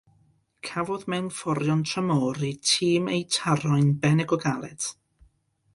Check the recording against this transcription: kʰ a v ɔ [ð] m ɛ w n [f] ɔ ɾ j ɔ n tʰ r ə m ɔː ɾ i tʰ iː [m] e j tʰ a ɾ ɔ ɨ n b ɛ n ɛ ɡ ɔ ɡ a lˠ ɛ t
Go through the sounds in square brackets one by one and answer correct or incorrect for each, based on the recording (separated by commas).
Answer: correct, correct, correct